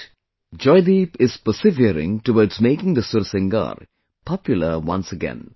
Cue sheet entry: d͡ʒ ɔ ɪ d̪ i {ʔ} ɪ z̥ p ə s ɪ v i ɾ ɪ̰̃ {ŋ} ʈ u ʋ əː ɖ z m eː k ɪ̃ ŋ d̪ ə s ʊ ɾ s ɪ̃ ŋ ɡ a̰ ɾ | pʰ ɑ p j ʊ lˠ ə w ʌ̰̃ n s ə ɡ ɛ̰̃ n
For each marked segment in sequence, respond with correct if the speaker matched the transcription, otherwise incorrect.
incorrect, correct

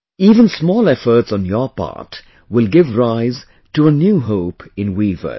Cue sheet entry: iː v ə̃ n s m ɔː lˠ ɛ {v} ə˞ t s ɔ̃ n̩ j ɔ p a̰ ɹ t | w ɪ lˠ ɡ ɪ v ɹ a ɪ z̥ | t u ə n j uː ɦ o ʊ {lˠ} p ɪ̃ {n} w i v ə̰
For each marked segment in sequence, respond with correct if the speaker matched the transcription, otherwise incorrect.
incorrect, incorrect, correct

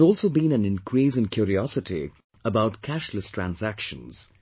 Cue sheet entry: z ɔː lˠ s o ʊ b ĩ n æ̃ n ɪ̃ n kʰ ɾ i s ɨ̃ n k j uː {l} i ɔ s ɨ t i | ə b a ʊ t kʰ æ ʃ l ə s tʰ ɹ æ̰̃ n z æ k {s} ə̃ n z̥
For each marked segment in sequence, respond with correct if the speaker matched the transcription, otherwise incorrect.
incorrect, incorrect

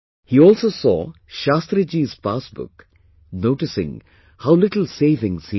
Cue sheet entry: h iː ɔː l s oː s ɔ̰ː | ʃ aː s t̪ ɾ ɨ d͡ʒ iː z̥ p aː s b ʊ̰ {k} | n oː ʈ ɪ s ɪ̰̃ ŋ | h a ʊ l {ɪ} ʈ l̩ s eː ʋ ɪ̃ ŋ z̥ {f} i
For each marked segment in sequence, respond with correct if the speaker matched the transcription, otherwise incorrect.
correct, correct, incorrect

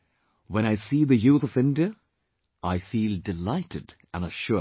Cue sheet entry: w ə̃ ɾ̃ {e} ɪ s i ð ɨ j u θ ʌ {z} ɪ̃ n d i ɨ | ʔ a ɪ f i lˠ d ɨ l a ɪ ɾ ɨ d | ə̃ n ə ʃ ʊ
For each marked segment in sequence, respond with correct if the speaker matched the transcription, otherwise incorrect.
incorrect, incorrect

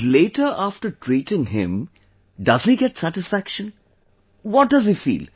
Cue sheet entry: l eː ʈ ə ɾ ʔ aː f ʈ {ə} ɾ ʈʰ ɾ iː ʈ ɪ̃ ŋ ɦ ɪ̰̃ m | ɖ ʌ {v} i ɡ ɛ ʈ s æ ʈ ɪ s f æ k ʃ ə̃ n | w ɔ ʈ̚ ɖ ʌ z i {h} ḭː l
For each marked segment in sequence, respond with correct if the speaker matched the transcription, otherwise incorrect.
correct, incorrect, incorrect

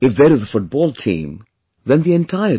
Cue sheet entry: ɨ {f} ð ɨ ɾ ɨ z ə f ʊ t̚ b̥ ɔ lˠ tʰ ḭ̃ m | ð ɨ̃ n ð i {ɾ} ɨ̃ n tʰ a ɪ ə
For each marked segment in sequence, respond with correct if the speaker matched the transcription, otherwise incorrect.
correct, incorrect

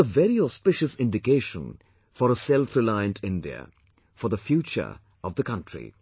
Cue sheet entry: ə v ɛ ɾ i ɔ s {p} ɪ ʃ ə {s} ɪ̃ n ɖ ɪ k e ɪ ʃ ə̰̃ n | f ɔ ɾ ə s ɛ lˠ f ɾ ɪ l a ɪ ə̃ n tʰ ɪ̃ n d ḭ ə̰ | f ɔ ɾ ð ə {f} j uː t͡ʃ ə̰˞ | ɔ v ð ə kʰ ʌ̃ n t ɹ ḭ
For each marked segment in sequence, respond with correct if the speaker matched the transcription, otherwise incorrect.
correct, correct, correct

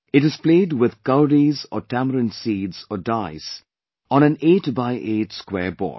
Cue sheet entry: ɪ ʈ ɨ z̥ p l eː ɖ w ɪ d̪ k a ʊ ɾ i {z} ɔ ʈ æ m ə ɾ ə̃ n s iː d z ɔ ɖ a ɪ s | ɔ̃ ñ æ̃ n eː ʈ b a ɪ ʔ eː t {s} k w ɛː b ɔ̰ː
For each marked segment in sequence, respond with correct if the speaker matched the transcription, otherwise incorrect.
correct, correct

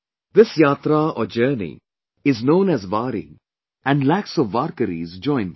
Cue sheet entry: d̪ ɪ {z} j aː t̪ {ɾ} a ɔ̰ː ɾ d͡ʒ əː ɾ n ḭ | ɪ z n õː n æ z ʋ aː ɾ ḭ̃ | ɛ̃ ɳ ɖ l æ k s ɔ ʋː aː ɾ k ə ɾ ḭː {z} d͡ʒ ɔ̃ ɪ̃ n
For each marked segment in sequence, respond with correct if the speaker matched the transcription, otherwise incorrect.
incorrect, correct, correct

